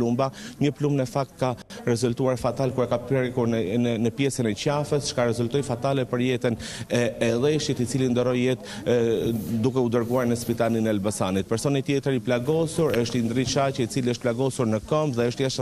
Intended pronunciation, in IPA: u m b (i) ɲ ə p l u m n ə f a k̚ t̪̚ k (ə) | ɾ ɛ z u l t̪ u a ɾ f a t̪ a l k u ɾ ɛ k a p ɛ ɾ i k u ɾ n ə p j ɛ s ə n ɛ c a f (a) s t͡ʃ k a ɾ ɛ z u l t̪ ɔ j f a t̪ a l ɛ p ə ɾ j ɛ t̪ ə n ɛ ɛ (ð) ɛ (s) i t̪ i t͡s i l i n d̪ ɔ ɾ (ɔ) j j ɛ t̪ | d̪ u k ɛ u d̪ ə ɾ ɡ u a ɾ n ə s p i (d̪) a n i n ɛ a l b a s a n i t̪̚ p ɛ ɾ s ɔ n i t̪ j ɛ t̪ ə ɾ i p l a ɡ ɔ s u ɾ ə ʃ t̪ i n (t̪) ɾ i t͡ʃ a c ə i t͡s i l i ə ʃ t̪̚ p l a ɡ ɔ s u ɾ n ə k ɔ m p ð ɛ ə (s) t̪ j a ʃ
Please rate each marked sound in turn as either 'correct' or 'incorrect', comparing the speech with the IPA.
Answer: incorrect, incorrect, incorrect, correct, incorrect, correct, incorrect, incorrect, incorrect

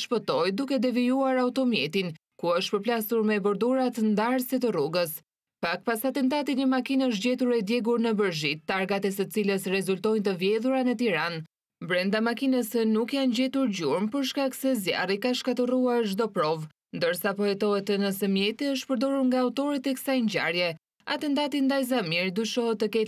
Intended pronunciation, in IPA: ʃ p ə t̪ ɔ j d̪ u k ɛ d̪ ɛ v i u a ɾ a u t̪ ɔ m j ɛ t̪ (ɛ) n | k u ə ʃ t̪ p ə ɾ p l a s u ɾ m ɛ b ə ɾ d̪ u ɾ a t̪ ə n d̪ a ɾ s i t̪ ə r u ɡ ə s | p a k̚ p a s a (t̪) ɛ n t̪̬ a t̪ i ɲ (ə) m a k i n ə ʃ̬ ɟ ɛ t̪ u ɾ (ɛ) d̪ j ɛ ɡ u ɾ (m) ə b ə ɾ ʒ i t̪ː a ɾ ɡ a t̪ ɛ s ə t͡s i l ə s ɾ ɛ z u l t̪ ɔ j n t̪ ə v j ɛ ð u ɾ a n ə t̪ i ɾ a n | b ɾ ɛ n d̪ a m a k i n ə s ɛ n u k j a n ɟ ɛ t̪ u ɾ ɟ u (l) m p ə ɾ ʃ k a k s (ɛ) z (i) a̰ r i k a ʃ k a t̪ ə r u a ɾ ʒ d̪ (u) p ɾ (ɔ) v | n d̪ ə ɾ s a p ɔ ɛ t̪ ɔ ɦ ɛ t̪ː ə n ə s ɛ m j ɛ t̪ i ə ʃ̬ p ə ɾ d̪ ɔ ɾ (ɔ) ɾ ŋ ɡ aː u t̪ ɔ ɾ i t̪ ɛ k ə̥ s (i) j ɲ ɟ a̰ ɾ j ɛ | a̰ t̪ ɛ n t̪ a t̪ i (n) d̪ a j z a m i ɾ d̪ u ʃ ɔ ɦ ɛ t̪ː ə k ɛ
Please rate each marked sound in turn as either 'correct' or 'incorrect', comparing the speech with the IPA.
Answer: incorrect, correct, correct, correct, incorrect, incorrect, correct, incorrect, incorrect, correct, incorrect, incorrect, correct

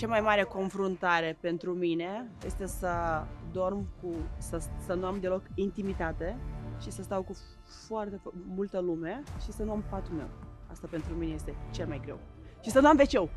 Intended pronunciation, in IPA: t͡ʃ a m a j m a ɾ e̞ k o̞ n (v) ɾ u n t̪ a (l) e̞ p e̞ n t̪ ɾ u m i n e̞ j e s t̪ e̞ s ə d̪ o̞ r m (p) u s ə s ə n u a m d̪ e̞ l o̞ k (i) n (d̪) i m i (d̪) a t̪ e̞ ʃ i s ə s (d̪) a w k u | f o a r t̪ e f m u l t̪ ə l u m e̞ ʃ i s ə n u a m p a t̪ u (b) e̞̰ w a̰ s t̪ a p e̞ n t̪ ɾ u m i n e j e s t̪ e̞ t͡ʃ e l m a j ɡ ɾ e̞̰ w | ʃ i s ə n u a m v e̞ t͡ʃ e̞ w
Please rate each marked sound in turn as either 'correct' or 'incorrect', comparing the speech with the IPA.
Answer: incorrect, incorrect, incorrect, correct, incorrect, incorrect, incorrect, incorrect

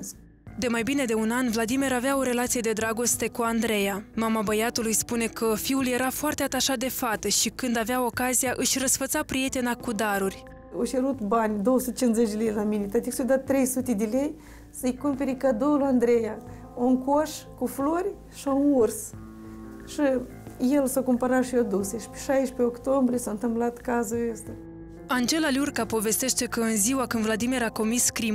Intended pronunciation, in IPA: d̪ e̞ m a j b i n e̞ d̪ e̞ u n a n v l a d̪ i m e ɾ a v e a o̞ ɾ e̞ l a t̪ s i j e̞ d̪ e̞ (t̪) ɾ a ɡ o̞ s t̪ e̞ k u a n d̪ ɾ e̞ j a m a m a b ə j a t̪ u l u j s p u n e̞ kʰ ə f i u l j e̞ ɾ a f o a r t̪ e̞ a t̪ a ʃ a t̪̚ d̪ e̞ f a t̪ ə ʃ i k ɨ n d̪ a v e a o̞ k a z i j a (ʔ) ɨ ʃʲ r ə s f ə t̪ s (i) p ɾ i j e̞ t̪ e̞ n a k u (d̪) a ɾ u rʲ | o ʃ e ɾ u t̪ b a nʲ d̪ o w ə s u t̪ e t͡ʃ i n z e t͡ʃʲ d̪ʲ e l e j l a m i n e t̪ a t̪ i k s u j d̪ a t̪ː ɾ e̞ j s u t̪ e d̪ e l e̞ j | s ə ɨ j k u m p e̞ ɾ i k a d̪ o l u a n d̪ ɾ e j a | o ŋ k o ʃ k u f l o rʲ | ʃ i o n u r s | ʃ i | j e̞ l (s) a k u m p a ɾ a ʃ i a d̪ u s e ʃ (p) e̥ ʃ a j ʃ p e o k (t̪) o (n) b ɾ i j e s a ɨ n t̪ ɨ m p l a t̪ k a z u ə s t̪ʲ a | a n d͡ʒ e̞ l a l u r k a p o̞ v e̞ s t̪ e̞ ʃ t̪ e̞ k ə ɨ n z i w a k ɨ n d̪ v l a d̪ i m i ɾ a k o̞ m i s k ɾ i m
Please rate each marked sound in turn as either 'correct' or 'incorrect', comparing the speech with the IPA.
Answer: incorrect, correct, incorrect, correct, correct, correct, correct, incorrect

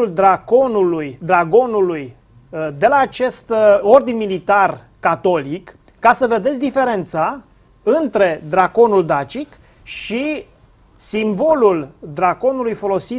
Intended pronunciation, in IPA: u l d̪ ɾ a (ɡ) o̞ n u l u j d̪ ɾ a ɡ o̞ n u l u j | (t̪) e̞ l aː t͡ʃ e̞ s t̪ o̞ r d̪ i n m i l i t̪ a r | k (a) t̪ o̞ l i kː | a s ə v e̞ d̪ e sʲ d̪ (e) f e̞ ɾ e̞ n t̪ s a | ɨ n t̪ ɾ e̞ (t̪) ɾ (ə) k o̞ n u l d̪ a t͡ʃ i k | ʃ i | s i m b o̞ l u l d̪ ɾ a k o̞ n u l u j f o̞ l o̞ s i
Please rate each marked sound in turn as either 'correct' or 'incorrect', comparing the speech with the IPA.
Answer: incorrect, incorrect, correct, incorrect, incorrect, incorrect

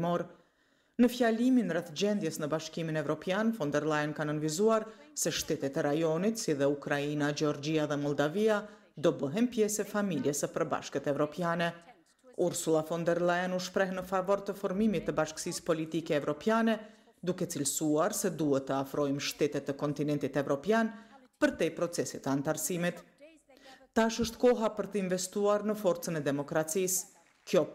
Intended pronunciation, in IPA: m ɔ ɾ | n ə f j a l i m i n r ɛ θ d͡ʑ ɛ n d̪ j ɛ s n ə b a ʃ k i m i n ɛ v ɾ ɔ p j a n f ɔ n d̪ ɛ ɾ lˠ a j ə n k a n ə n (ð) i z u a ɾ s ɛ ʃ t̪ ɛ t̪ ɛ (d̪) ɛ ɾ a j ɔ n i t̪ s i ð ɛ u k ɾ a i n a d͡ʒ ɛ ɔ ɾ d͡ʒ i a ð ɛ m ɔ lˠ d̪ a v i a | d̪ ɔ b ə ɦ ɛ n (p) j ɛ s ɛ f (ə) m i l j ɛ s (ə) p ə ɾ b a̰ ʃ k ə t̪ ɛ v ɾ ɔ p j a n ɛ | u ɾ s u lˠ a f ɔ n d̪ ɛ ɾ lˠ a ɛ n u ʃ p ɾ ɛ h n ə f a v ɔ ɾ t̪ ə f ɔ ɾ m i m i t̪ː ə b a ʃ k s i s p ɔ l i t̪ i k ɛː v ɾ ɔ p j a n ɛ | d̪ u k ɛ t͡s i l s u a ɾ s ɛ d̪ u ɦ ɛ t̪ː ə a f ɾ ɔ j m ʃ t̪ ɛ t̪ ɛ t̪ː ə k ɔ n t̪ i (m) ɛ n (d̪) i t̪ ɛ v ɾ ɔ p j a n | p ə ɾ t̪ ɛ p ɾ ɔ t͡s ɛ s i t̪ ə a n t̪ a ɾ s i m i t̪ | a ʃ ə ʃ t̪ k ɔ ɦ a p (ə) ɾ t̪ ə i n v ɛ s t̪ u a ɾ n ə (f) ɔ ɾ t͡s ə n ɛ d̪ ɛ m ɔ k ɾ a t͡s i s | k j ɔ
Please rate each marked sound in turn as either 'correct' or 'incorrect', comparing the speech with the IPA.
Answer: incorrect, incorrect, correct, incorrect, correct, incorrect, incorrect, correct, correct

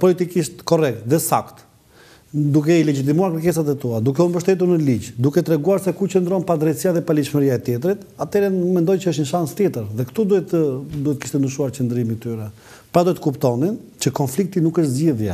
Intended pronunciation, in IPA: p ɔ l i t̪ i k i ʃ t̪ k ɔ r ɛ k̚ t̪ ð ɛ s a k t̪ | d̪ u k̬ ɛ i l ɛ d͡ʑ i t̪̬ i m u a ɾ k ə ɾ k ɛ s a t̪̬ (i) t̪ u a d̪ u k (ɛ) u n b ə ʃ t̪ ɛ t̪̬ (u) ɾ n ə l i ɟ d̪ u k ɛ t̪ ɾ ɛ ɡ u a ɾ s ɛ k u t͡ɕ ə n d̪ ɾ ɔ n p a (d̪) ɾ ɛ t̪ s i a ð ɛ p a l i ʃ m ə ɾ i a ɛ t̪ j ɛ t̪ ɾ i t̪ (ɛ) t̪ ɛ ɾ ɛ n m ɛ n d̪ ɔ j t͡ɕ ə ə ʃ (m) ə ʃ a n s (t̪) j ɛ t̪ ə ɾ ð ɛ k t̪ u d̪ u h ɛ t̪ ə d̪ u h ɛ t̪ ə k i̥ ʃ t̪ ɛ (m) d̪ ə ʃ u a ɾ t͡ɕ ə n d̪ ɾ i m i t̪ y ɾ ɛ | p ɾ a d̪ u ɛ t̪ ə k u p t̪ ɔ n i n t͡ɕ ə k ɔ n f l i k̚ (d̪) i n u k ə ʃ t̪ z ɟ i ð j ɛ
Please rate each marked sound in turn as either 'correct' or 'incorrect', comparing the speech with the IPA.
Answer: incorrect, correct, correct, correct, incorrect, incorrect, correct, incorrect, incorrect

